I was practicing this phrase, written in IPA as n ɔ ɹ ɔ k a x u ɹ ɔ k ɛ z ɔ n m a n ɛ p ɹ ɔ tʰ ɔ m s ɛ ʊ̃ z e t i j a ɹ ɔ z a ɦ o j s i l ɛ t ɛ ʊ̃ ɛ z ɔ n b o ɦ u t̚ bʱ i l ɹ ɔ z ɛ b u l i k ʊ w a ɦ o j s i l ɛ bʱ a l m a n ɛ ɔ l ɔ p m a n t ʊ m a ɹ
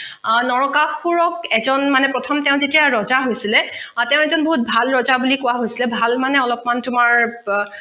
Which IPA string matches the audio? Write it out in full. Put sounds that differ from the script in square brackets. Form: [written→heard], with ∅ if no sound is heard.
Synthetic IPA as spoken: n ɔ ɹ ɔ k a x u ɹ ɔ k ɛ z ɔ n m a n ɛ p ɹ ɔ tʰ ɔ m [s→t] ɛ ʊ̃ z e t i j a ɹ ɔ z a ɦ o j s i l ɛ t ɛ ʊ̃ ɛ z ɔ n b o ɦ u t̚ bʱ [i→a] l ɹ ɔ z [ɛ→a] b u l i k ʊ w a ɦ o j s i l ɛ bʱ a l m a n ɛ ɔ l ɔ p m a n t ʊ m a ɹ